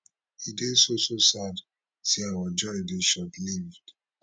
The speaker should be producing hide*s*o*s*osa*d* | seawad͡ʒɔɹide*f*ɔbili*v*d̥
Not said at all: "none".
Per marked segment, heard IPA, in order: s, s, d, ʃ, v

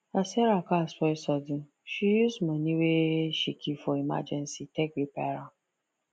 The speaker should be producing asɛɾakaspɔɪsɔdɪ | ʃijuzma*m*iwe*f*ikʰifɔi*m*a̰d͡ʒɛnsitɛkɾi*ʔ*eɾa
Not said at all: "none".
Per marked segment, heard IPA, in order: n, ʃ, m, p

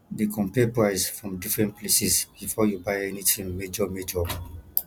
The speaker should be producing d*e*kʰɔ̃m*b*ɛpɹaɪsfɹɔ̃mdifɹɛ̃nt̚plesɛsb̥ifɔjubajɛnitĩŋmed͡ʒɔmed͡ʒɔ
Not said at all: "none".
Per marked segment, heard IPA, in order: e, p

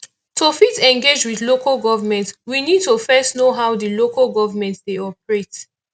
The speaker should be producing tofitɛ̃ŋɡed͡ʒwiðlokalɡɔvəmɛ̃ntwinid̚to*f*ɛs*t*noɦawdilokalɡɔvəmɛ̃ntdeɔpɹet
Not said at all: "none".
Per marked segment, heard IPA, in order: f, t

